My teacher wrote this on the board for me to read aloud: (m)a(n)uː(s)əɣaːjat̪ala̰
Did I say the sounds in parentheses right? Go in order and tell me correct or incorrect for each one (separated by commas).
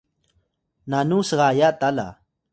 incorrect, correct, correct